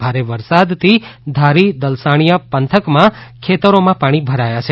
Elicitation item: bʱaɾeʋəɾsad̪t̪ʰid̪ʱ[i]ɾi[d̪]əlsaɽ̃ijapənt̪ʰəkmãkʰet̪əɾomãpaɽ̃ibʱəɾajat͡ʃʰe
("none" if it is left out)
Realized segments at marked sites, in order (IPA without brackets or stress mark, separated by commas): a, d̪